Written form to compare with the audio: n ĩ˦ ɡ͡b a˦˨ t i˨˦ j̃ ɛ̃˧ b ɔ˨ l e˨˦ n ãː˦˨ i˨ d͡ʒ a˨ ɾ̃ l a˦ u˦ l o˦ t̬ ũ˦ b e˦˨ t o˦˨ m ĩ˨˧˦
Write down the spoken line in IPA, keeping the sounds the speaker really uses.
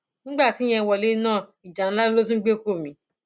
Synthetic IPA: n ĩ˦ ɡ͡b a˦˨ t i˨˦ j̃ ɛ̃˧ w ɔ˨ l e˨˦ n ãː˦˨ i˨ d͡ʒ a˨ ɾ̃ l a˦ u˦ l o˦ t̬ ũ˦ ɡ͡b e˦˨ k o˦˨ m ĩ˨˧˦